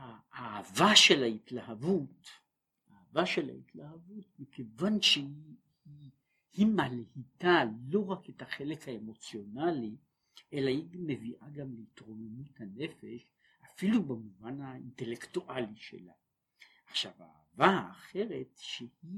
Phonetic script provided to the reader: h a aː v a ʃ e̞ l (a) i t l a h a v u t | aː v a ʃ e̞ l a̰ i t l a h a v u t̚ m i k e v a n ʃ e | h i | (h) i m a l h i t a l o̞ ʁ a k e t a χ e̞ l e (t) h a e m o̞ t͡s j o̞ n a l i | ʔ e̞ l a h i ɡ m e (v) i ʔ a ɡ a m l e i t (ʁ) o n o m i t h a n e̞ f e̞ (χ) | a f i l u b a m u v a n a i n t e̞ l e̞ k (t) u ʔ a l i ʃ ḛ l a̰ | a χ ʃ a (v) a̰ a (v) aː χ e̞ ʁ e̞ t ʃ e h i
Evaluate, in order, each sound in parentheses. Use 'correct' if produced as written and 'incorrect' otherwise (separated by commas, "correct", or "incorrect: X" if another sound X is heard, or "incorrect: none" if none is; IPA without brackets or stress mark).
correct, correct, incorrect: k, correct, correct, incorrect: ʃ, correct, correct, correct